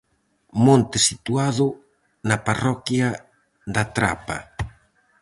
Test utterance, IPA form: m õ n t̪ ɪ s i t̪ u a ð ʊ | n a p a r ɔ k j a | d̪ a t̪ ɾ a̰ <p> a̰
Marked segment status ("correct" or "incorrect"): correct